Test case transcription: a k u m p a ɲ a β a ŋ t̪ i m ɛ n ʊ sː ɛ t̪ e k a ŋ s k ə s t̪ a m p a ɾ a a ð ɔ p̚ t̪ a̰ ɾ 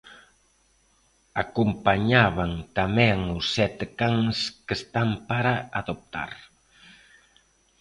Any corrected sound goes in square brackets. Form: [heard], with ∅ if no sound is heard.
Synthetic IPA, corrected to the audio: a k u m p a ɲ a β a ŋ t̪ [a] m ɛ [ŋ] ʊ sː ɛ t̪ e k a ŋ s k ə s t̪ a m p a ɾ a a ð [o] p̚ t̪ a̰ ɾ